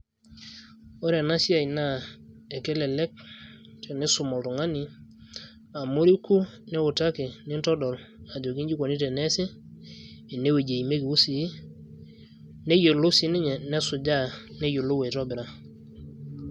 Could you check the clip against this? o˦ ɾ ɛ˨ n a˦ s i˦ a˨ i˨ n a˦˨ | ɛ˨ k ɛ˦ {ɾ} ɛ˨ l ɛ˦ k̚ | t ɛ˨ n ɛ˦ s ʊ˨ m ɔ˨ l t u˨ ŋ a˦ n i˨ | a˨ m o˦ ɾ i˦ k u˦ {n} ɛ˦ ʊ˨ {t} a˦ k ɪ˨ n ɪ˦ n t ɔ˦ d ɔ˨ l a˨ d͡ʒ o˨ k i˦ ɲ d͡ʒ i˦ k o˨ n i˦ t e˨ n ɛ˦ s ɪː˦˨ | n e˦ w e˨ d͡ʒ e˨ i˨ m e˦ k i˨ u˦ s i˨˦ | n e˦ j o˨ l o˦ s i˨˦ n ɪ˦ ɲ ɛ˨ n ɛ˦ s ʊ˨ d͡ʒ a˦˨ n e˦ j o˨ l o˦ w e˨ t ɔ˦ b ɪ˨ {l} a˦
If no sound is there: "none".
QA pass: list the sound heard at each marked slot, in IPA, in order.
l, n, t, ɾ

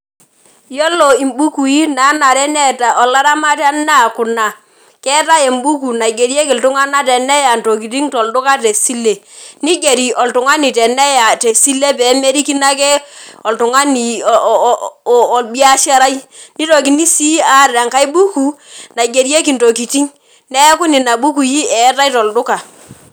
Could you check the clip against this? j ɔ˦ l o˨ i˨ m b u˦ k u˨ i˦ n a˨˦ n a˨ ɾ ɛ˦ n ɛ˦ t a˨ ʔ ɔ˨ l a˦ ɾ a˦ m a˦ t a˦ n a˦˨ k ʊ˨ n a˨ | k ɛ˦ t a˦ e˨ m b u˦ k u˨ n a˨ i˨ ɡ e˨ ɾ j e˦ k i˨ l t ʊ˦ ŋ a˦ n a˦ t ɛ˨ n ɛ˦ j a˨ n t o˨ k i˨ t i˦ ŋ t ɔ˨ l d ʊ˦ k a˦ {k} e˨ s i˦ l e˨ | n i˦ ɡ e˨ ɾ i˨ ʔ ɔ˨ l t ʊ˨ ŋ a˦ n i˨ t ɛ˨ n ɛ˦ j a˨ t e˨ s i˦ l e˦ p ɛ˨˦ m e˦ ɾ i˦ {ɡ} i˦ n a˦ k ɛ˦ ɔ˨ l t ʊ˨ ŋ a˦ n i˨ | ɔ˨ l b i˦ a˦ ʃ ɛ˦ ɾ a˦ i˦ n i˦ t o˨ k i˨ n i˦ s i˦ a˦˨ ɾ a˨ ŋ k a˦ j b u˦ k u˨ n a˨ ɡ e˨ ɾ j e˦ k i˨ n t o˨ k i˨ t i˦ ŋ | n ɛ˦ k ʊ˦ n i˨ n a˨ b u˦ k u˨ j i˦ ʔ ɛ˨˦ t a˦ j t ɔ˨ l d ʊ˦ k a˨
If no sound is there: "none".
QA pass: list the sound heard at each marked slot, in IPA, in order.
t, k

